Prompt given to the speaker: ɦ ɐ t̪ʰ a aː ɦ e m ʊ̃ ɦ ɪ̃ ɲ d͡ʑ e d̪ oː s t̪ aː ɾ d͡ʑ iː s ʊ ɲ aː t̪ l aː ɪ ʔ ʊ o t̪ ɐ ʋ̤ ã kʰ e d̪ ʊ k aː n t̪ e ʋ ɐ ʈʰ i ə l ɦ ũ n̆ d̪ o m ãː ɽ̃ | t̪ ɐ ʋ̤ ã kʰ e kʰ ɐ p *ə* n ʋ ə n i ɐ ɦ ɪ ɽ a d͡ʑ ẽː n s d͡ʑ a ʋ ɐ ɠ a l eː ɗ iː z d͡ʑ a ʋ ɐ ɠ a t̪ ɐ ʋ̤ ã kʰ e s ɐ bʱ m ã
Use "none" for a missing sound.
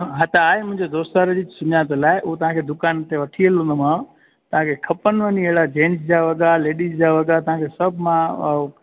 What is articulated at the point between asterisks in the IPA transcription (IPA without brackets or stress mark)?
ə